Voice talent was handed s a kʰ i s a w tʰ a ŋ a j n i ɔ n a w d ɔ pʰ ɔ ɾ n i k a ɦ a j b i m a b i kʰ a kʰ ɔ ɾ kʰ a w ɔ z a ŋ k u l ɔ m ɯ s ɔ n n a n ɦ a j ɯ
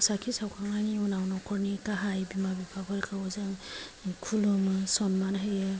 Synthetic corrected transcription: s a kʰ i s a w kʰ a ŋ a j n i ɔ n a w n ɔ kʰ ɔ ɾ n i k a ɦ a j b i m a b i pʰ a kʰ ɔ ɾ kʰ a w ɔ z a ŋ kʰ u l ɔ m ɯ s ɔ n m a n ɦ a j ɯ